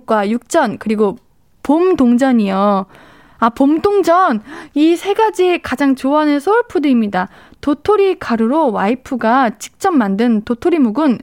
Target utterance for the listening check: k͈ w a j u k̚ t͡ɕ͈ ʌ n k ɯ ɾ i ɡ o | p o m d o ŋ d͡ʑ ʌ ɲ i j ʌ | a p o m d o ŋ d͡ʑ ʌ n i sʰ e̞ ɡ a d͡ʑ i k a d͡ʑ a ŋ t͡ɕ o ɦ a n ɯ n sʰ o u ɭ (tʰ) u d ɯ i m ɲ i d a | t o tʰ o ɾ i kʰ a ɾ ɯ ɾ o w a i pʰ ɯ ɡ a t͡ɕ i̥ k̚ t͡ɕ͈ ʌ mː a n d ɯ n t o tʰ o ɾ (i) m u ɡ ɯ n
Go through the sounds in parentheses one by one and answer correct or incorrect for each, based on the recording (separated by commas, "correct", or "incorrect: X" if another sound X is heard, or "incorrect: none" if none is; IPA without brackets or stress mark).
incorrect: pʰ, correct